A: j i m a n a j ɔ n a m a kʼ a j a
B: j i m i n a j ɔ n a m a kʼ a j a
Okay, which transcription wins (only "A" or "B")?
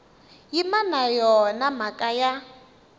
A